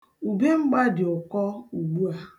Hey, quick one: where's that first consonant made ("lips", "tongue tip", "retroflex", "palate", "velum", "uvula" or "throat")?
lips